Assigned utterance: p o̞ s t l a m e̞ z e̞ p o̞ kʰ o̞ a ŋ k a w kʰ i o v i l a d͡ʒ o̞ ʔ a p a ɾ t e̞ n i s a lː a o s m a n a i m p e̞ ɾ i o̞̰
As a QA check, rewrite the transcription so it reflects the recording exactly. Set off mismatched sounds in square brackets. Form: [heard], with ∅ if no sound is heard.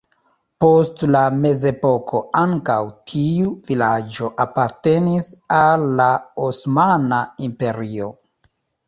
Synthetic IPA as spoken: p o̞ s t l a m e̞ z e̞ p o̞ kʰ o̞ a ŋ k a w [tʰ] i [u] v i l a d͡ʒ o̞ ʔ a p a ɾ t e̞ n i s a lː a o s m a n a i m p e̞ ɾ i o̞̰